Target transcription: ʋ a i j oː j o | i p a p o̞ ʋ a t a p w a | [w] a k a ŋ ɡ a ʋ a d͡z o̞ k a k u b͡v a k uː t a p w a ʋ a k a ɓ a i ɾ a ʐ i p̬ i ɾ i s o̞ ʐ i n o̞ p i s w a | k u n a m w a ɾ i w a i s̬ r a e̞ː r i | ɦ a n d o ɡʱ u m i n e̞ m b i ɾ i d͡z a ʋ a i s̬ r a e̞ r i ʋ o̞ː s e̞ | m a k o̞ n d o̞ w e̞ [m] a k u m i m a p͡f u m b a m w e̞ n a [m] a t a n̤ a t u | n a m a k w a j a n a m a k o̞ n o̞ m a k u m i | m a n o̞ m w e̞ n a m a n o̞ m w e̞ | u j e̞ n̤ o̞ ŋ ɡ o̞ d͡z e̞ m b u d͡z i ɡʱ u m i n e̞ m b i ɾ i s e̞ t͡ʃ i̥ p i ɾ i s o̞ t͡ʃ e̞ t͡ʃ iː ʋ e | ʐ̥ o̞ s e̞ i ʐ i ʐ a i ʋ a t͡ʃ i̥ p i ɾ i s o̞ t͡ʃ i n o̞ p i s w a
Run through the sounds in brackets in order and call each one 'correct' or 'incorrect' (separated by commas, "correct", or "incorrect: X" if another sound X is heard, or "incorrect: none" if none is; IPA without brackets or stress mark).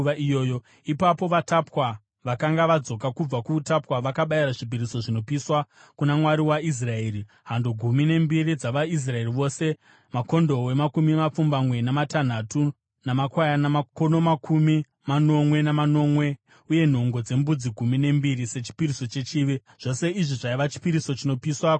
incorrect: ʋ, correct, correct